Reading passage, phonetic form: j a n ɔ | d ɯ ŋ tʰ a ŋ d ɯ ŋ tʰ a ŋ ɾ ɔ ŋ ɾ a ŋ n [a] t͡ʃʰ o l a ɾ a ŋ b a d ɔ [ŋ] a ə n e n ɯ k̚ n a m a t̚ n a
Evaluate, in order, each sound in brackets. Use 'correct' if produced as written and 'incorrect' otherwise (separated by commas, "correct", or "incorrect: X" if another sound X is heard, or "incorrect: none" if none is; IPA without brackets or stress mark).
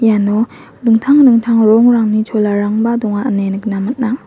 incorrect: i, correct